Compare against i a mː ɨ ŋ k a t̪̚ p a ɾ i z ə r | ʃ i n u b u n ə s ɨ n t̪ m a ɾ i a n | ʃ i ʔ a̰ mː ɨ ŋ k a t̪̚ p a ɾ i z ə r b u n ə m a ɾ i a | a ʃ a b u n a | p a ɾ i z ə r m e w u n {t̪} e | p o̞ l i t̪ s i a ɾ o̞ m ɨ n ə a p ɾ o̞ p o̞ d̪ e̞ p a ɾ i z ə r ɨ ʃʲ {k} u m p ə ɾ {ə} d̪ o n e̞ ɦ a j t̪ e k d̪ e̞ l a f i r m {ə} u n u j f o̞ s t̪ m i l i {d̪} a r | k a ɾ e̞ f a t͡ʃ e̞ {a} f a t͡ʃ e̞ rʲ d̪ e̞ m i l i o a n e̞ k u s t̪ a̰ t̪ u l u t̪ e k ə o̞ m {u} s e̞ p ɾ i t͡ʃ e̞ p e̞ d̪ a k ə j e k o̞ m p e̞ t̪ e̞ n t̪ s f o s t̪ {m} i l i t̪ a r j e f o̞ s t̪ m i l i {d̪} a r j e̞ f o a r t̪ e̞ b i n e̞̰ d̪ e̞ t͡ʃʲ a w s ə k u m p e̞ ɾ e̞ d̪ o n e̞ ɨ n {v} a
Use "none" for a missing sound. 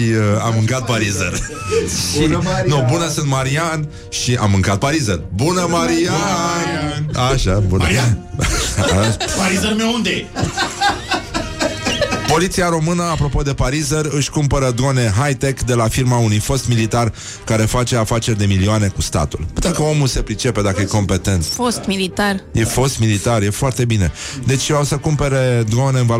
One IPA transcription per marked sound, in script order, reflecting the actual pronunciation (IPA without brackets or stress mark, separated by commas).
d̪, k, ə, a, t̪, a, u, m, t̪, v